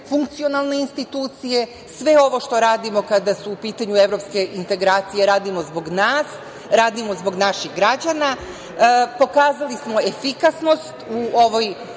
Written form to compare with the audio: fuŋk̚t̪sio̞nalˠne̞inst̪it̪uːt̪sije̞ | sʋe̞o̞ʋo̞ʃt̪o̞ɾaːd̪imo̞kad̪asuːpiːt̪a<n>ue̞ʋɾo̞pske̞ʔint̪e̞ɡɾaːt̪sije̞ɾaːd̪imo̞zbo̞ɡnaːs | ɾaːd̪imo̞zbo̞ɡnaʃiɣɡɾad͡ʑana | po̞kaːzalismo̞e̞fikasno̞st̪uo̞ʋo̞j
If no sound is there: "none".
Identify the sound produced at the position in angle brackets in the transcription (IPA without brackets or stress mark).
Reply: ɲ